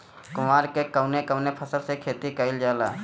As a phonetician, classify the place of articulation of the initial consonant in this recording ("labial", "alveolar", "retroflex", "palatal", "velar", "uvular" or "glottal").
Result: velar